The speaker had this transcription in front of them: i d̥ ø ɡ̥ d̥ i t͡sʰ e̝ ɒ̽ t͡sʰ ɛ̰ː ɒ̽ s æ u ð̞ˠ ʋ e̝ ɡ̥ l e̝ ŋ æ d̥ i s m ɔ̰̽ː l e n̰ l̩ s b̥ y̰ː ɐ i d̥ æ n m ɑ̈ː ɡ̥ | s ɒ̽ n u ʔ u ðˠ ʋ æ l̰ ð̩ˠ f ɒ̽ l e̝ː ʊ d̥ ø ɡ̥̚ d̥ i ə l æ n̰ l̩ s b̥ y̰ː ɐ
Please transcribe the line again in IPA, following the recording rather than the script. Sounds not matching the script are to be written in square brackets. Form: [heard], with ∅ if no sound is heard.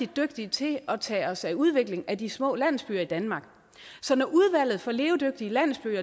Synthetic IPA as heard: i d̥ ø ɡ̥ d̥ i t͡sʰ e̝ ɒ̽ t͡sʰ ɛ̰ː ɒ̽ s æ u ð̞ˠ ʋ e̝ ɡ̥ l e̝ ŋ æ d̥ i s m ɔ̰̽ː l [æ] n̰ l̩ s b̥ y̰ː ɐ i d̥ æ n m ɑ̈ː ɡ̥ | s ɒ̽ n [ɒ] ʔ u ðˠ ʋ æ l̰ ð̩ˠ f ɒ̽ l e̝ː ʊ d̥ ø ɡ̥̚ d̥ i ə l æ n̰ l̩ s b̥ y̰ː ɐ